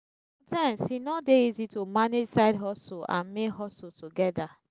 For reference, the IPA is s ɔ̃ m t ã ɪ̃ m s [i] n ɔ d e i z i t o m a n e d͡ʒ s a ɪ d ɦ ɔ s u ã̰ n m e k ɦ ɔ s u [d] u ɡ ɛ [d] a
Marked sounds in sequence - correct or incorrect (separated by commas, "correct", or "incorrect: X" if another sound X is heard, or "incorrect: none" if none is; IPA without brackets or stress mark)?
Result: correct, incorrect: t, correct